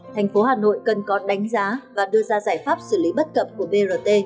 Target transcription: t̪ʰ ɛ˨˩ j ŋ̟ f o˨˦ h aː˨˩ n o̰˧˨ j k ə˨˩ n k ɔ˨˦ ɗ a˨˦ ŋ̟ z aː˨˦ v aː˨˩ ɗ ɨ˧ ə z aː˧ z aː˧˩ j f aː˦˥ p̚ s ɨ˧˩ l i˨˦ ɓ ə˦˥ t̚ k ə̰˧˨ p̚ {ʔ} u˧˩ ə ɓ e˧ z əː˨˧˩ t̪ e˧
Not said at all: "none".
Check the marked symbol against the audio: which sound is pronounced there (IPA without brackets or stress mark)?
k